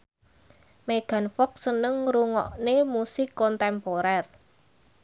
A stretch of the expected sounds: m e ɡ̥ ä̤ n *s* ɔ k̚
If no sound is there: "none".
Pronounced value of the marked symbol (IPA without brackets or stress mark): f